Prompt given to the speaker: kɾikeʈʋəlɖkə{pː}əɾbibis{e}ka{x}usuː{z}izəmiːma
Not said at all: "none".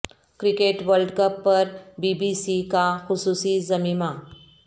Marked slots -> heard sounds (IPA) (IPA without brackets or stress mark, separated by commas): pː, i, x, s